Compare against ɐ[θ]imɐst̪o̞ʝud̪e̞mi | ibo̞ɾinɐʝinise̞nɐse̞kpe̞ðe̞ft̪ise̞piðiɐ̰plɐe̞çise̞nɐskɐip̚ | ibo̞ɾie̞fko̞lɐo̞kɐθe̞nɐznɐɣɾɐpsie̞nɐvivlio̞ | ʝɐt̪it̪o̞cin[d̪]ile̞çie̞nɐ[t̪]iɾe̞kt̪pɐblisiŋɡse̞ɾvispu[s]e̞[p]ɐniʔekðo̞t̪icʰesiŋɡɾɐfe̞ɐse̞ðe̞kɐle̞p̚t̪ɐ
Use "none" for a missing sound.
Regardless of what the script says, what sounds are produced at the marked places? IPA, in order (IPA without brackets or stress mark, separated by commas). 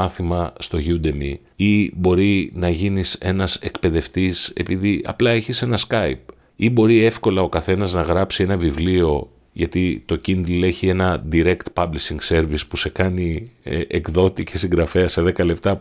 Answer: θ, d̪, d̪, s, k